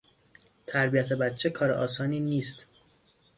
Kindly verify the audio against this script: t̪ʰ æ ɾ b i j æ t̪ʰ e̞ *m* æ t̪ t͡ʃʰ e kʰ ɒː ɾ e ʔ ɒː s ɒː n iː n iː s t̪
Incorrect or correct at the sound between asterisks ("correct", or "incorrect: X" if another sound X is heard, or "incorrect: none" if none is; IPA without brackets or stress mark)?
incorrect: b